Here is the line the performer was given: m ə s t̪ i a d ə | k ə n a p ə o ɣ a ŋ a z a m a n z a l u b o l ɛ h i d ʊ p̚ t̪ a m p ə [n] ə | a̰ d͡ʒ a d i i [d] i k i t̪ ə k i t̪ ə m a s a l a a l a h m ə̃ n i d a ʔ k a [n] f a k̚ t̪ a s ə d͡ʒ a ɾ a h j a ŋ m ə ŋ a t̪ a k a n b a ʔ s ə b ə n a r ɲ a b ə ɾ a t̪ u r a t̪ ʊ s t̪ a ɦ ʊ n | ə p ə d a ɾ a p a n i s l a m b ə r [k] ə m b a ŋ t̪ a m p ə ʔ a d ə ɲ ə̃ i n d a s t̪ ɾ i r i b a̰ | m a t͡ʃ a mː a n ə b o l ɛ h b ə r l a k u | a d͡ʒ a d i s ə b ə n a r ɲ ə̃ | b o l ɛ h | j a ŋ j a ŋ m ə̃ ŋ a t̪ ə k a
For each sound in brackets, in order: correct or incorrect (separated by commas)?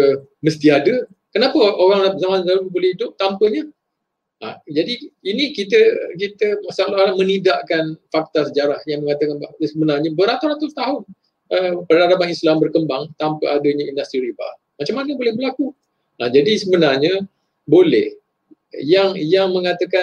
incorrect, incorrect, correct, correct